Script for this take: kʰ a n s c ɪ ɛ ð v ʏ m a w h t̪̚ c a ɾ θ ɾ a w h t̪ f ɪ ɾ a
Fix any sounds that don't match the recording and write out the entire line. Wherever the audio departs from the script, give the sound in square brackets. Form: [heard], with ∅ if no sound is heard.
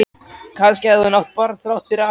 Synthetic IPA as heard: kʰ a n s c ɪ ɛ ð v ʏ [n] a w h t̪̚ [p] a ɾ θ ɾ a w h t̪ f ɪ ɾ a